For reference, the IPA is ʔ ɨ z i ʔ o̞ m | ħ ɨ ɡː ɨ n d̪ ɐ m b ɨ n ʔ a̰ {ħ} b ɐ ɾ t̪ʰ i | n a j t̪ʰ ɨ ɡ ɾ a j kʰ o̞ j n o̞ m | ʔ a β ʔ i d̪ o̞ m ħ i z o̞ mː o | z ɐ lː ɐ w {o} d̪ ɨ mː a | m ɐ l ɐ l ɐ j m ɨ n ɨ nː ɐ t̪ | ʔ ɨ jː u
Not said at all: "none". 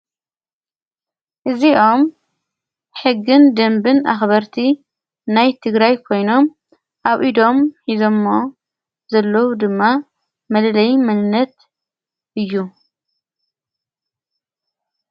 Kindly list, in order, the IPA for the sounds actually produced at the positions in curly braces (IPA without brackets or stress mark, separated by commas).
x, u